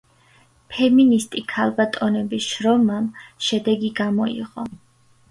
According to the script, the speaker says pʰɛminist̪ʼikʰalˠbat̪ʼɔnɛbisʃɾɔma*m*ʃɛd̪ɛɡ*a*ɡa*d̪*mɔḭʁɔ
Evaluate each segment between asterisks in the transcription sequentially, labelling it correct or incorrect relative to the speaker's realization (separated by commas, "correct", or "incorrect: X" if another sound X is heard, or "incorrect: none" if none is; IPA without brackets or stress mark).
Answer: correct, incorrect: i, incorrect: none